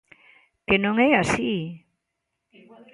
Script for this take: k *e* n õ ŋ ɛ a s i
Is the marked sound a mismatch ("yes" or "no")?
no